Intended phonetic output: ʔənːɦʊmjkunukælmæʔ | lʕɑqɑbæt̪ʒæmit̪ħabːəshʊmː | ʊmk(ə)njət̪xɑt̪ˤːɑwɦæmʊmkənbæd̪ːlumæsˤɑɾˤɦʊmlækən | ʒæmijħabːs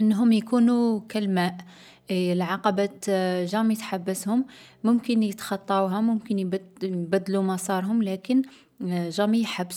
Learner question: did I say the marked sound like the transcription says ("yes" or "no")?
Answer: yes